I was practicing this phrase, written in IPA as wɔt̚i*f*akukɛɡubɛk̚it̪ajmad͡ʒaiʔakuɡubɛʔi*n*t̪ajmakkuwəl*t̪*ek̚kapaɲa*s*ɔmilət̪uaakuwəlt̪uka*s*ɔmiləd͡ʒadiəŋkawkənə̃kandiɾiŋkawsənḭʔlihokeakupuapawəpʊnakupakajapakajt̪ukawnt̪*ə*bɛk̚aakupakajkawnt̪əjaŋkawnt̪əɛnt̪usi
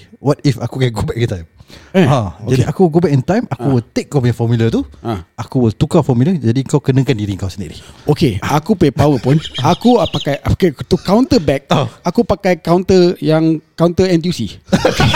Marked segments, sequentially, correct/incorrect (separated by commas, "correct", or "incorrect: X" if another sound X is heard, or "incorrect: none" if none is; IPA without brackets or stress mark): correct, correct, correct, incorrect: f, incorrect: f, correct